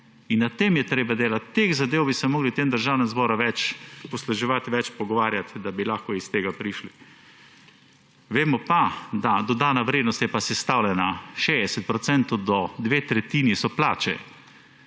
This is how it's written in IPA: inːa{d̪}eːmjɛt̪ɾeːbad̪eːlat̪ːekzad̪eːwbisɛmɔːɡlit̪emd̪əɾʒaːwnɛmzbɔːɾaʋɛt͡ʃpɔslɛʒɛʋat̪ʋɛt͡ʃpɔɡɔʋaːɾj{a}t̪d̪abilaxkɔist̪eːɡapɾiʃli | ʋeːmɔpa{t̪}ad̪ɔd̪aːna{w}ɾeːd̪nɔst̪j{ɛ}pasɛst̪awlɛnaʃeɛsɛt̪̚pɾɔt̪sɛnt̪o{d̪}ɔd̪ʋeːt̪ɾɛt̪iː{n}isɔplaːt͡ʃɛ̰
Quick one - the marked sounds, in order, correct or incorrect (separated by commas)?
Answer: incorrect, correct, incorrect, incorrect, correct, correct, correct